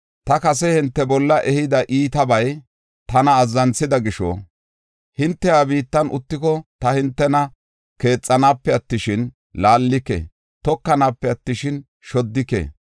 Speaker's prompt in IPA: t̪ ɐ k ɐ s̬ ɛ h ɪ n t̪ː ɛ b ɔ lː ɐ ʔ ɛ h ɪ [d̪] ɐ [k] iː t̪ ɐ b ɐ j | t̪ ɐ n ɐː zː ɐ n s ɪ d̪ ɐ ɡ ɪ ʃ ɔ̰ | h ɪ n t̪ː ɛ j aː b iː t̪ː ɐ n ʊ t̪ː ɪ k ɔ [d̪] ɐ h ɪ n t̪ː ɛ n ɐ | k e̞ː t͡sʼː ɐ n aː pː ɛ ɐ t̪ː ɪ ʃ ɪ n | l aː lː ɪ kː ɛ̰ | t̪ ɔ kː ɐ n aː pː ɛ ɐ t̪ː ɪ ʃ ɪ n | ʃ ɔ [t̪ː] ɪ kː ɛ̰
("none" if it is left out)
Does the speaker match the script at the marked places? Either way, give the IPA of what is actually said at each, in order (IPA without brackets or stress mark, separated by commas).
d̪, ʔ, t̪, d̪ː